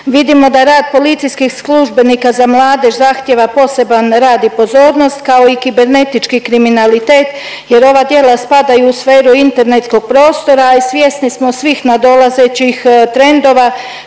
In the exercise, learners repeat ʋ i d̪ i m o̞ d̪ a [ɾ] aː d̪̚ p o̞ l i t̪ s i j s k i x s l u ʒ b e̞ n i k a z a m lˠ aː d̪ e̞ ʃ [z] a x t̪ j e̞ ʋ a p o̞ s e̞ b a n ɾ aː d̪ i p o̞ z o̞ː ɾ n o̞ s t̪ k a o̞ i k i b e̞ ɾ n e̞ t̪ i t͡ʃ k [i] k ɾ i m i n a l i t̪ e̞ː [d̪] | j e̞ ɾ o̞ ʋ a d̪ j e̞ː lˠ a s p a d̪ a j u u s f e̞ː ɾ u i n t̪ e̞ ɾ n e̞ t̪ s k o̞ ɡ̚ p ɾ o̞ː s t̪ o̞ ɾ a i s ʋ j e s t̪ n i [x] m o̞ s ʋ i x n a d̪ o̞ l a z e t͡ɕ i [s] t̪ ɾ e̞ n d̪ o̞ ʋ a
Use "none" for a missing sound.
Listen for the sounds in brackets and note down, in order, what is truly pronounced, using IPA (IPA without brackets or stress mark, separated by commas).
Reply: ɾ, z, i, t̪, s, x